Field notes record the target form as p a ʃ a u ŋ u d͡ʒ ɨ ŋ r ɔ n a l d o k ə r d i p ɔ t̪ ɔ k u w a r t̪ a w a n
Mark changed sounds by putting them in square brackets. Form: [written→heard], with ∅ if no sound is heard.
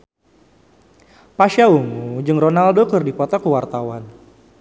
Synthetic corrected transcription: p a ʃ a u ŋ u d͡ʒ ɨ ŋ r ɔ n a l d o k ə r d i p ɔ t̪ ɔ k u w a r t̪ a w a n